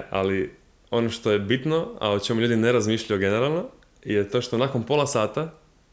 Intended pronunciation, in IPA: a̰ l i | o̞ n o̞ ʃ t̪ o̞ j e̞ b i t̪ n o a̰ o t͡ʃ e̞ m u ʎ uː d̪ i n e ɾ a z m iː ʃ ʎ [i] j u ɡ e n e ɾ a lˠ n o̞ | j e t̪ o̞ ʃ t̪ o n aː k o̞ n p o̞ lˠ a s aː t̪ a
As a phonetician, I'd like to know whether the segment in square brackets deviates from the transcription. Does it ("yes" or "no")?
yes